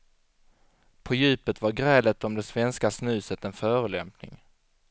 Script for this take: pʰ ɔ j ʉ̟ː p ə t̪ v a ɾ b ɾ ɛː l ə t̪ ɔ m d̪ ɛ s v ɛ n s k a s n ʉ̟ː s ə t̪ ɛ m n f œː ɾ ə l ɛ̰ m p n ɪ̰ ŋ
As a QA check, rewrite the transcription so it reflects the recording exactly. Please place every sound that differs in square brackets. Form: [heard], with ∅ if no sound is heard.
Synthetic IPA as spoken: pʰ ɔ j ʉ̟ː p ə t̪ v a ɾ [ɡ] ɾ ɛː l ə t̪ ɔ m d̪ ɛ s v ɛ n s k a s n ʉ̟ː s ə t̪ ɛ [∅] n f œː ɾ ə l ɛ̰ m p n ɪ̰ ŋ

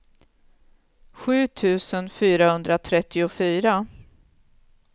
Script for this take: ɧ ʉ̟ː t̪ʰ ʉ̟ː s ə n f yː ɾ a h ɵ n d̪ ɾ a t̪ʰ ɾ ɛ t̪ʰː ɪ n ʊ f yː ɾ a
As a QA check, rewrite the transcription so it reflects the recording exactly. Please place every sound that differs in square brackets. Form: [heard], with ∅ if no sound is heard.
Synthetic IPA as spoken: ɧ ʉ̟ː t̪ʰ ʉ̟ː s ə n f yː ɾ a h ɵ n d̪ ɾ a t̪ʰ ɾ ɛ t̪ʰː ɪ [∅] ʊ f yː ɾ a

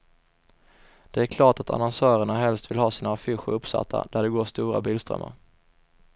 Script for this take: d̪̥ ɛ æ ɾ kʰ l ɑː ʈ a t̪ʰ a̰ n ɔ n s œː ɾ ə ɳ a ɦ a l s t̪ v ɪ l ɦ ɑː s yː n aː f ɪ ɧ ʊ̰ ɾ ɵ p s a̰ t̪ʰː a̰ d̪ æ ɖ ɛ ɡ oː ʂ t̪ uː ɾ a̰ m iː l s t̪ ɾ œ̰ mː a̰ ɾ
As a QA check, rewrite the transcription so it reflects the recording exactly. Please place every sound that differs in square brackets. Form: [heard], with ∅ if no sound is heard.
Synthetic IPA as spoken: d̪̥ ɛ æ ɾ kʰ l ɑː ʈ a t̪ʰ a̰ n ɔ n s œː ɾ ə ɳ a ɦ [ɛ] l s t̪ v ɪ l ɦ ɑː s [iː] n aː f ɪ ɧ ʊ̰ ɾ ɵ p s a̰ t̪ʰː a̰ d̪ æ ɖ ɛ ɡ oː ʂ t̪ uː ɾ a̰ [b] iː l s t̪ ɾ œ̰ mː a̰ ɾ

